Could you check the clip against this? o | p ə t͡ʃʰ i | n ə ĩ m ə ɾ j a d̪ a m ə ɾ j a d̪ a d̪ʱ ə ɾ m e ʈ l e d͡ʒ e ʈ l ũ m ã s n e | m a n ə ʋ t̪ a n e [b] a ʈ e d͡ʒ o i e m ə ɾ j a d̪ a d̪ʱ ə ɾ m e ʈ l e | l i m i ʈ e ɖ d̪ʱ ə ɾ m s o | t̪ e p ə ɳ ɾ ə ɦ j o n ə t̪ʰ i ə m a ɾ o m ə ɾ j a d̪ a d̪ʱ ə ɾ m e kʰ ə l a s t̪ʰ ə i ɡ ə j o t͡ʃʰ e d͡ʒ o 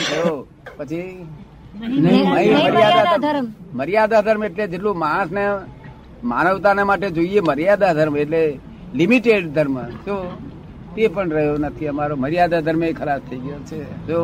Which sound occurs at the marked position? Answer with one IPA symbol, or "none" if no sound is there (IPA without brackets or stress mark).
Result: m